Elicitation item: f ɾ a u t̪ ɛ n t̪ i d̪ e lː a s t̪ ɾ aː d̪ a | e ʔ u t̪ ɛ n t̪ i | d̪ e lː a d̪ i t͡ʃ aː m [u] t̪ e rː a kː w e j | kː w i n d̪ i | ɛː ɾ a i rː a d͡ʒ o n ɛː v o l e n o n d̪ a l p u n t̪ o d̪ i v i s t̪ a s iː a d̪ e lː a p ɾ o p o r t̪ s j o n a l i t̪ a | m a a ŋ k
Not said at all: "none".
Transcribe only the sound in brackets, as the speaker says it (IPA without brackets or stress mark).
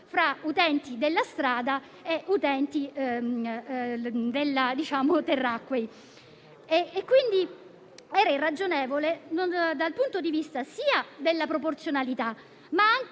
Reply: o